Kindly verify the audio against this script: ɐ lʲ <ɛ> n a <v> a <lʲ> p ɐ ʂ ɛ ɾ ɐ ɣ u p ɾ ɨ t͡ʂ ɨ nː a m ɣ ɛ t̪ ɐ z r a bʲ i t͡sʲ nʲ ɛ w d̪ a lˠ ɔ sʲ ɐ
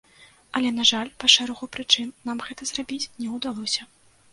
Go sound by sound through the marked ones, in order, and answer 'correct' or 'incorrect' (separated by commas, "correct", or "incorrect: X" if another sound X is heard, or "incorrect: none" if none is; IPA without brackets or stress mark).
correct, incorrect: ʐ, correct